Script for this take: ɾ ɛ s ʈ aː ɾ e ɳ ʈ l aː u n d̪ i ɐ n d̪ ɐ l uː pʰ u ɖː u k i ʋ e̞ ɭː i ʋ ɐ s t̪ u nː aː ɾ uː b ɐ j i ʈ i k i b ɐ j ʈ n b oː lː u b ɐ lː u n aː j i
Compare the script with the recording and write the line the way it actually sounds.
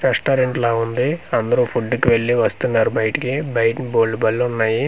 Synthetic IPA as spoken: ɾ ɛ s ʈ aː ɾ e ɳ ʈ l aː u n d̪ i ɐ n d̪ ɐ ɾ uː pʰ u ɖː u k i ʋ e̞ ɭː i ʋ ɐ s t̪ u nː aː ɾ u b ɐ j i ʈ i k i b ɐ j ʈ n b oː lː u b ɐ lː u nː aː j i